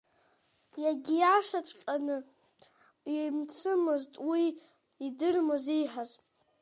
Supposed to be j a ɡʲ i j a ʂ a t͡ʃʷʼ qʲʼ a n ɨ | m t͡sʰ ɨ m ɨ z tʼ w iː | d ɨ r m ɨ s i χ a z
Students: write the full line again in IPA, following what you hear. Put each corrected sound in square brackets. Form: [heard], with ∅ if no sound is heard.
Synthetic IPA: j a ɡʲ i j a ʂ a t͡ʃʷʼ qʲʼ a n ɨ | m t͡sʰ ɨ m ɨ z tʼ w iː | d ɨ r m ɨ [z] i [ħ] a z